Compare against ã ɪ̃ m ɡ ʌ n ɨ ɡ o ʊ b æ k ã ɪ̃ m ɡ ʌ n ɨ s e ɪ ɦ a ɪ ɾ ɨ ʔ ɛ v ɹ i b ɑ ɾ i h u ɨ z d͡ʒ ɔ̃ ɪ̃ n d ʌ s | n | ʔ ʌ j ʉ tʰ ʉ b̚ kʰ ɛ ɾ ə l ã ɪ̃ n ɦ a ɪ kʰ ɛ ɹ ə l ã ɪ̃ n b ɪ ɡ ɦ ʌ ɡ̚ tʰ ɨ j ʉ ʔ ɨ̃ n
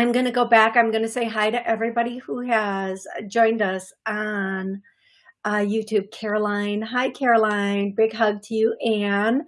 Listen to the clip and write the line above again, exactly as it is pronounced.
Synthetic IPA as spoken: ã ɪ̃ m ɡ ʌ n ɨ ɡ o ʊ b æ k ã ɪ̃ m ɡ ʌ n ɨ s e ɪ ɦ a ɪ ɾ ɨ ʔ ɛ v ɹ i b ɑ ɾ i h u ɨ z d͡ʒ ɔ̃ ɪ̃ n d ʌ s | n | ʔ ʌ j ʉ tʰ ʉ b̚ kʰ ɛ ɹ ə l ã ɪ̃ n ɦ a ɪ kʰ ɛ ɹ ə l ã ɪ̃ n b ɪ ɡ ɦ ʌ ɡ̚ tʰ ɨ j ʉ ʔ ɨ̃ n

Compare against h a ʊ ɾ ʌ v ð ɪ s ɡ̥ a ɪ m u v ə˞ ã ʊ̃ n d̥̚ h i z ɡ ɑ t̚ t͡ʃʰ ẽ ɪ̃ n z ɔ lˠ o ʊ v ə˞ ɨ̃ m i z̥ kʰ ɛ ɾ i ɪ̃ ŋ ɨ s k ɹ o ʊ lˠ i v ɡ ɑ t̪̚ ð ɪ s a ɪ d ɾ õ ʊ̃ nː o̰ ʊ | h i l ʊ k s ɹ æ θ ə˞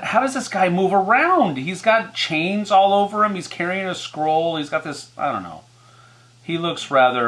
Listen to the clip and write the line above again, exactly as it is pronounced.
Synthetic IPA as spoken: h a ʊ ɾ ʌ z ð ɪ s ɡ̥ a ɪ m u v ə˞ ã ʊ̃ n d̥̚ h i z ɡ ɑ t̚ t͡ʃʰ ẽ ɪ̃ n z ɔ lˠ o ʊ v ə˞ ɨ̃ m i z̥ kʰ ɛ ɹ i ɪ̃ ŋ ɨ s k ɹ o ʊ lˠ i z ɡ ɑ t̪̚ ð ɪ s a ɪ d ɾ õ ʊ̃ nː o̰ ʊ | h i l ʊ k s ɹ æ ð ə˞

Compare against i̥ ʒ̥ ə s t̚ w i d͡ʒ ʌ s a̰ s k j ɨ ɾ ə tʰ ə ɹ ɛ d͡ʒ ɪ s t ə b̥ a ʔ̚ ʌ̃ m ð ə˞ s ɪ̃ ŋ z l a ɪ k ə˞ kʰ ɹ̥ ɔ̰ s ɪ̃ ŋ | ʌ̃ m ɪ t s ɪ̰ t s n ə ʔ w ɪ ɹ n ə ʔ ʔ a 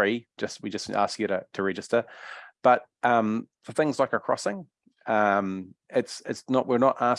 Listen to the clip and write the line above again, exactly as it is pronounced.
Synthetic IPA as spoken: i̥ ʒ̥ ʌ s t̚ w i d͡ʒ ʌ s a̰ s k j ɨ ɾ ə tʰ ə ɹ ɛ d͡ʒ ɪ s t ə b̥ ʌ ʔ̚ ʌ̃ m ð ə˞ θ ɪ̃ ŋ z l a ɪ k ə˞ kʰ ɹ̥ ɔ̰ s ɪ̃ ŋ | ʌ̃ m ɪ t s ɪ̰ t s n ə ʔ w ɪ ɹ n ə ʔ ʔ a

